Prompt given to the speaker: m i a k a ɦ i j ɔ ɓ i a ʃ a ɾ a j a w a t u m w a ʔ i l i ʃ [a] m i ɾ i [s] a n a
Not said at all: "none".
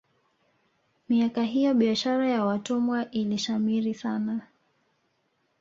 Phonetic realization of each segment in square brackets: a, s

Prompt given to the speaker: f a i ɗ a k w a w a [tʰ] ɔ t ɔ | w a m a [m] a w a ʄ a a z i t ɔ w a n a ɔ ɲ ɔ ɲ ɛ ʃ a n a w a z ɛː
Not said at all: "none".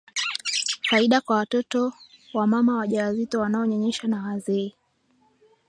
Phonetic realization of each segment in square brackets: t, m

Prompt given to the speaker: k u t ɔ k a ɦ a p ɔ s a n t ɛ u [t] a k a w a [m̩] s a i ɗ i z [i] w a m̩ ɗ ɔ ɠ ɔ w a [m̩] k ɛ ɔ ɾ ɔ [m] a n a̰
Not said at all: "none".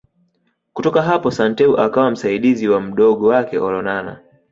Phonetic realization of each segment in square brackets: ʔ, m̩, i, none, n

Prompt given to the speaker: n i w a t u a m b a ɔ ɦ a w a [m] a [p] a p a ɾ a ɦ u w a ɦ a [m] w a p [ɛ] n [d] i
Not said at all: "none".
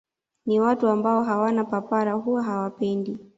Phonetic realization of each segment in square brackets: n, p, none, ɛ, d

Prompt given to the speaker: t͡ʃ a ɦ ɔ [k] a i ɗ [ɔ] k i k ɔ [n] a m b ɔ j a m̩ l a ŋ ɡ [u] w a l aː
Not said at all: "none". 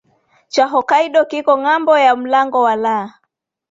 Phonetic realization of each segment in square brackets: k, ɔ, ŋ, ɔ

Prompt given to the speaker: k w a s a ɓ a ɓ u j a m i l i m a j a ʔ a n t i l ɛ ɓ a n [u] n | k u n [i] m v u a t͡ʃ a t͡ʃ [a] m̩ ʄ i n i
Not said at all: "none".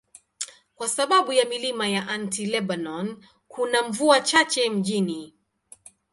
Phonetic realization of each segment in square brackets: ɔ, a, ɛ

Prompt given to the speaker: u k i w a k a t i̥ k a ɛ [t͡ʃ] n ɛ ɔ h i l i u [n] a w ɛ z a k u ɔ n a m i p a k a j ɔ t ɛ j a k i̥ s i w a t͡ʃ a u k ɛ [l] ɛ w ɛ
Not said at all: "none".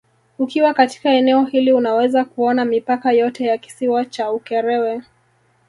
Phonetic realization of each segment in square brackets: none, n, ɾ

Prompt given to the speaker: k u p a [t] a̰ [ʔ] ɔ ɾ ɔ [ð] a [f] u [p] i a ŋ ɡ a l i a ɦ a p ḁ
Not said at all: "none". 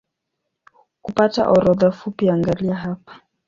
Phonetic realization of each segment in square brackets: t, ʔ, ð, f, p

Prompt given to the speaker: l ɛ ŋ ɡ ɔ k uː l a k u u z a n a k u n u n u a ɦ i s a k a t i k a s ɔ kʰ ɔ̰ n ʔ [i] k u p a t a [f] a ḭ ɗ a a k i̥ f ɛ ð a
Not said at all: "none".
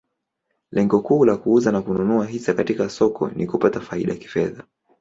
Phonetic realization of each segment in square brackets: i, f

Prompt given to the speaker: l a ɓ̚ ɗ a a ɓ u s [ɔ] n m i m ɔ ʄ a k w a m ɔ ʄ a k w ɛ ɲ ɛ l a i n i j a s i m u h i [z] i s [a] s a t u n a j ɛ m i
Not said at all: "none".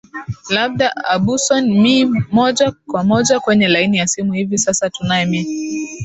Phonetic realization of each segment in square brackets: ɔ, v, a

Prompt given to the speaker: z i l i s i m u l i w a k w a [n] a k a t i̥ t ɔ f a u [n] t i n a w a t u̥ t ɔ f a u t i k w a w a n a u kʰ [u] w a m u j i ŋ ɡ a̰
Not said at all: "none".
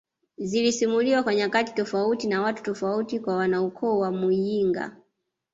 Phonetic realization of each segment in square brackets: ɲ, none, ɔ

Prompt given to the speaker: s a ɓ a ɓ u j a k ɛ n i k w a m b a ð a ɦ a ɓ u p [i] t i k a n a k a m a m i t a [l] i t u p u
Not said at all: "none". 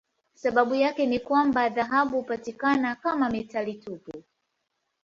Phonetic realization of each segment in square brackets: a, l

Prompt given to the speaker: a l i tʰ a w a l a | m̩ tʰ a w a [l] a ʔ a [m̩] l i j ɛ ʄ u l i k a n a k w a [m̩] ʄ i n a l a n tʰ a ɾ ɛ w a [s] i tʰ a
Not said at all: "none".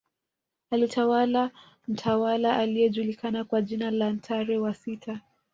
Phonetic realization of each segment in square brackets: l, none, none, s

